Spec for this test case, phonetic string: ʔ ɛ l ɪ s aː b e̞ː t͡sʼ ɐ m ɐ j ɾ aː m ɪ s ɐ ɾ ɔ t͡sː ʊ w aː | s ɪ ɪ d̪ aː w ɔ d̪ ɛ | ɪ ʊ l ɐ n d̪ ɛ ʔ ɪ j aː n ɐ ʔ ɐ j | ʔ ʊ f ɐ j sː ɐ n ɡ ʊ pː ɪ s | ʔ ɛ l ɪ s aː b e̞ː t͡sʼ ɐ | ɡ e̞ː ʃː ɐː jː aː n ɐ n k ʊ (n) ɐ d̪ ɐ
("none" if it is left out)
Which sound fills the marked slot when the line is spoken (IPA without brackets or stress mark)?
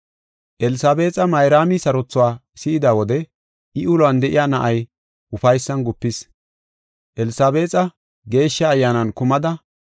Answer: m